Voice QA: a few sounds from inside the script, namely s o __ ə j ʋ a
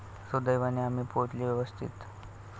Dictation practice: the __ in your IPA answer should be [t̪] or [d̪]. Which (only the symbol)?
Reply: d̪